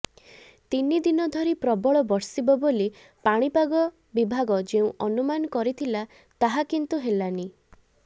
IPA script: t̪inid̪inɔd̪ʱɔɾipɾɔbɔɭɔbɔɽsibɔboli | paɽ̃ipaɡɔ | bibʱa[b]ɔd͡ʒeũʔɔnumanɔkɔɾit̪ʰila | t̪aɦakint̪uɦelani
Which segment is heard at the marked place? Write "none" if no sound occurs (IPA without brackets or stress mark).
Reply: ɡ